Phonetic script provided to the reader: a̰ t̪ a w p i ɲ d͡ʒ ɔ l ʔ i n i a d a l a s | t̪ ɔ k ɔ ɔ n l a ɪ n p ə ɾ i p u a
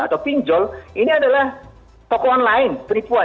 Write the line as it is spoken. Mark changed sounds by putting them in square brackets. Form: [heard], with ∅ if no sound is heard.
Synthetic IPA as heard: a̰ t̪ a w p i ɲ d͡ʒ ɔ l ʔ i n i a d a l a [h] | t̪ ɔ k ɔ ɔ n l a ɪ n p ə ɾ i p u a